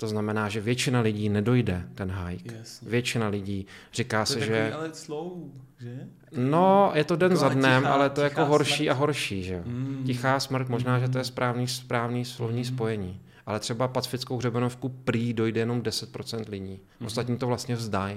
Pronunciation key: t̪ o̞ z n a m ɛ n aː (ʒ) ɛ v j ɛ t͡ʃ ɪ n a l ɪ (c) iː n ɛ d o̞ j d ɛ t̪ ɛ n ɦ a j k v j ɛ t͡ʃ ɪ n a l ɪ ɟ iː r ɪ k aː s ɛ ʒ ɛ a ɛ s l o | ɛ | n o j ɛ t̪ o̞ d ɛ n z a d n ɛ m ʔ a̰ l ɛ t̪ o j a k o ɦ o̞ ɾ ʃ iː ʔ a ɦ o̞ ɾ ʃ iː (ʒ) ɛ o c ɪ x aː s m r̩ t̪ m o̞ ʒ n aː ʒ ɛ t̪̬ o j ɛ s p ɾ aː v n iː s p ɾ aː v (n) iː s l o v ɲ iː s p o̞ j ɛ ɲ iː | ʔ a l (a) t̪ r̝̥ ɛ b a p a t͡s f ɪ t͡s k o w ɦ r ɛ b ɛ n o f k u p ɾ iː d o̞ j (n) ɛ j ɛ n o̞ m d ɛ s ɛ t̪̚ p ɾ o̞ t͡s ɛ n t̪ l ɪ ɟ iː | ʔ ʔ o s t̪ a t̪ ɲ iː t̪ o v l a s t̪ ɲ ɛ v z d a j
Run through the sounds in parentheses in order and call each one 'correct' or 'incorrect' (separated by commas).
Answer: correct, incorrect, correct, correct, incorrect, incorrect